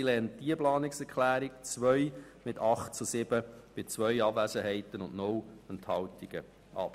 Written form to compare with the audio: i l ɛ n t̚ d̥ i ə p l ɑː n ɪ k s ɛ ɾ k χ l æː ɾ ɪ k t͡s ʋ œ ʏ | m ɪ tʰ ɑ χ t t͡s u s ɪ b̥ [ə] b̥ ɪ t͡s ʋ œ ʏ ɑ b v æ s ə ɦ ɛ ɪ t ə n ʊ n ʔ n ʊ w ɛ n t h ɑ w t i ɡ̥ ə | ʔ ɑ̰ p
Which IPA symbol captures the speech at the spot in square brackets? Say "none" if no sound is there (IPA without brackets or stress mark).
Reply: ə